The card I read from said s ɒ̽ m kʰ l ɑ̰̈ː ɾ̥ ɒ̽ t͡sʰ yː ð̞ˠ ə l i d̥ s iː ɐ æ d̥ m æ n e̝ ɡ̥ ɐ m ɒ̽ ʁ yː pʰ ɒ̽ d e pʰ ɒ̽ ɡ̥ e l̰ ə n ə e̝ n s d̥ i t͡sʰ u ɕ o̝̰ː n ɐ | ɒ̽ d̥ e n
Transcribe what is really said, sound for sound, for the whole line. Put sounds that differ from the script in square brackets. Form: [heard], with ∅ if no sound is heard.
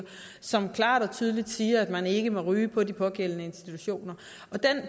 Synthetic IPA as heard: s ɒ̽ m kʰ l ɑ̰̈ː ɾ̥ ɒ̽ t͡sʰ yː ð̞ˠ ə l i d̥ s iː ɐ æ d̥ m æ n e̝ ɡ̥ [ə] m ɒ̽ ʁ yː pʰ ɒ̽ d [i] pʰ ɒ̽ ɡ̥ e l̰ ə n ə e̝ n s d̥ i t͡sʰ u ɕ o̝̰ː n ɐ | ɒ̽ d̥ e n